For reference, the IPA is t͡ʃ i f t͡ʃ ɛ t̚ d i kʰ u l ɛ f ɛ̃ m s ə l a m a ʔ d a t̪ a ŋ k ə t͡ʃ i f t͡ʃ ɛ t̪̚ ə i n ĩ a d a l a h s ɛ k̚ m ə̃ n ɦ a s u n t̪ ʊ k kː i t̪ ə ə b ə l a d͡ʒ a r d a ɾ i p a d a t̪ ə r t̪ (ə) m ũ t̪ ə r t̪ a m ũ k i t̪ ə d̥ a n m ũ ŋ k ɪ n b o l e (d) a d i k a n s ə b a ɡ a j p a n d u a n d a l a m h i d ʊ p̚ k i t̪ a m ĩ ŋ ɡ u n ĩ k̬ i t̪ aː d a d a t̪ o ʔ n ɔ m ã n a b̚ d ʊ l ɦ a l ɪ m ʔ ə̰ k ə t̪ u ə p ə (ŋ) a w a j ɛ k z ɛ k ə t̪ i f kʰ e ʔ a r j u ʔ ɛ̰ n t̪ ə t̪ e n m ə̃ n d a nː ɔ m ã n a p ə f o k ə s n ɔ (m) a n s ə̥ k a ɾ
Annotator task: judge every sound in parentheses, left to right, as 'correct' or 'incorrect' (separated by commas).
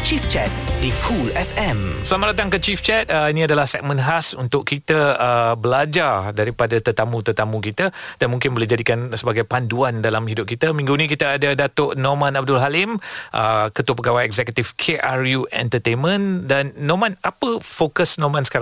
incorrect, incorrect, incorrect, correct